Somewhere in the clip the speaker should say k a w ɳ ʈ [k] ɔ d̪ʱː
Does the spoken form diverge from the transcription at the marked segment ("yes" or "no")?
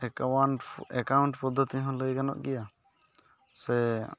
yes